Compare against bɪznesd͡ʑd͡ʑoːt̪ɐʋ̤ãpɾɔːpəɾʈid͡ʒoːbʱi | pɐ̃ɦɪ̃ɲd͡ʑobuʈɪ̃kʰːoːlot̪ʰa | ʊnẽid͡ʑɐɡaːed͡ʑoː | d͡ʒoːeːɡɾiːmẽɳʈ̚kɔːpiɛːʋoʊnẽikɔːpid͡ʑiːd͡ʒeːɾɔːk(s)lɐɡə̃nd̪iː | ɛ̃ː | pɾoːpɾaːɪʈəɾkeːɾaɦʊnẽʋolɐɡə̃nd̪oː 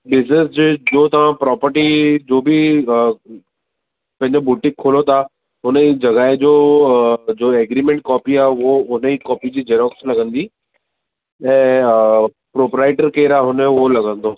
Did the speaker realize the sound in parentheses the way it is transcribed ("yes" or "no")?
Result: yes